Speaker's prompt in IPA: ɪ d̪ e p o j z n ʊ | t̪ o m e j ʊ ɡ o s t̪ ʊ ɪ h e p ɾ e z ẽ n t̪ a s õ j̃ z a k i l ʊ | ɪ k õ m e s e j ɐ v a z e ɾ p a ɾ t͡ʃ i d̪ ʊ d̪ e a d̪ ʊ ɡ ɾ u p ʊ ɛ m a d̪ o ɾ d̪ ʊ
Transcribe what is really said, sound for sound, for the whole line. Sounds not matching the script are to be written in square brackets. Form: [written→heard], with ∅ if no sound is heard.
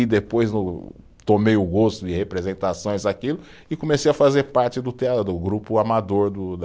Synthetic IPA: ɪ d̪ e p o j z n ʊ | t̪ o m e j ʊ ɡ o s t̪ ʊ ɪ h e p ɾ e z ẽ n t̪ a s õ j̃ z a k i l ʊ | ɪ k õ m e s e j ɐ [v→f] a z e ɾ p a ɾ t͡ʃ [i→ɪ] d̪ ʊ [d̪→t̪] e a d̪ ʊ ɡ ɾ u p ʊ [ɛ→a] m a d̪ o ɾ d̪ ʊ